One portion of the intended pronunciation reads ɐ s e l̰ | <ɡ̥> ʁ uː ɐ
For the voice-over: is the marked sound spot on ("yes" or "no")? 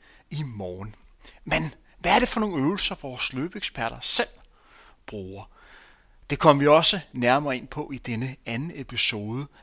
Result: no